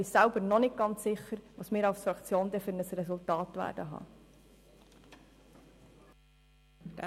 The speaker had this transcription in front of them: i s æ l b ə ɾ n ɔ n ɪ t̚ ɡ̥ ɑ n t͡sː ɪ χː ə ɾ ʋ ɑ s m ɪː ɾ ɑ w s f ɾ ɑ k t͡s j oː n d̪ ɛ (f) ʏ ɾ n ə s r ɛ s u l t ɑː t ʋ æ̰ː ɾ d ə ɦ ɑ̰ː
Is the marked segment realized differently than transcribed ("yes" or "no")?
no